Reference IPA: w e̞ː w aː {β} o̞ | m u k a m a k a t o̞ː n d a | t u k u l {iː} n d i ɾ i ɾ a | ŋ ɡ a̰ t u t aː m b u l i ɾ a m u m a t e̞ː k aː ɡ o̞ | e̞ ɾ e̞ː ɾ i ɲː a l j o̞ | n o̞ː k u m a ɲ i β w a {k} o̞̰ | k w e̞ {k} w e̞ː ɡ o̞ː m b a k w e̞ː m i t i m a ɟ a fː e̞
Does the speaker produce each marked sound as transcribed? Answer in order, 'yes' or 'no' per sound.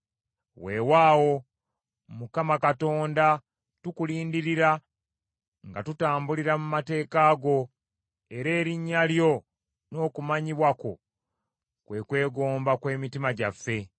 no, yes, yes, yes

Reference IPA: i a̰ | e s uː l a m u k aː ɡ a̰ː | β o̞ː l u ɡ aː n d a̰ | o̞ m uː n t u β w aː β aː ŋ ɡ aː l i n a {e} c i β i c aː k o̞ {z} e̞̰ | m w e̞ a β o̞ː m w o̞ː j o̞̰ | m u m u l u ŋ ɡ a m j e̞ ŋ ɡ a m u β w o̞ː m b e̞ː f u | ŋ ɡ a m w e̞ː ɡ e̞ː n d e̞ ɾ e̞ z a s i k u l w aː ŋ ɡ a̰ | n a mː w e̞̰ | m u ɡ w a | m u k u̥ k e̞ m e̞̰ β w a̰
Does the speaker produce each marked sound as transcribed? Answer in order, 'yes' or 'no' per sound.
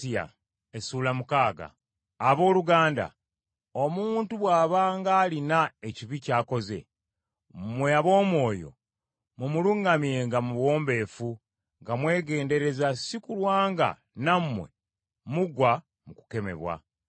yes, yes

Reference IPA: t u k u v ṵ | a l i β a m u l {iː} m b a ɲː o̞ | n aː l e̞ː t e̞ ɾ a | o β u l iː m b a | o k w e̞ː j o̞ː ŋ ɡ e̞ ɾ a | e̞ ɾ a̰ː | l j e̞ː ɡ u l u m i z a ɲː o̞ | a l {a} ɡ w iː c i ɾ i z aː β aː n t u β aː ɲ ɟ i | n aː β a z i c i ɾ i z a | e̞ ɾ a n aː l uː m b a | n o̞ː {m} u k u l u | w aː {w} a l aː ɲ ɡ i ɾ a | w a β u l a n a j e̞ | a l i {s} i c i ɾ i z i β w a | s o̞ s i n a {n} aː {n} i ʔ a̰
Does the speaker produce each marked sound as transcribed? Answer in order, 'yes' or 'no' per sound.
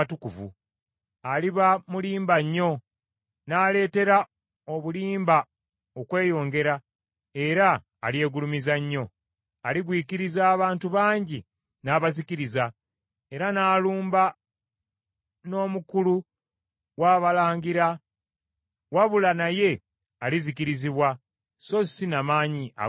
yes, no, yes, no, no, no, no

